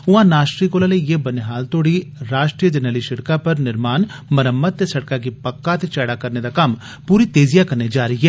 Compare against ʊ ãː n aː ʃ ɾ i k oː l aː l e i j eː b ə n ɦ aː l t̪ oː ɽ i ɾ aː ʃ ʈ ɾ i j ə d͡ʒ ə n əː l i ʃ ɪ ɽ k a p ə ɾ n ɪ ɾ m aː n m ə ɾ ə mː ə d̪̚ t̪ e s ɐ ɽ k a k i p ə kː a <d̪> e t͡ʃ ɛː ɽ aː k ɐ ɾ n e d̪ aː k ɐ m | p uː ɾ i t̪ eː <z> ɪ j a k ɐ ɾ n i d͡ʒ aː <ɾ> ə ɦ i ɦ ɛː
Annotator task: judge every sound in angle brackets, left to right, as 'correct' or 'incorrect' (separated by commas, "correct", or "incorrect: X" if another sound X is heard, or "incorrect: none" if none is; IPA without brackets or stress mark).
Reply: incorrect: t̪, correct, correct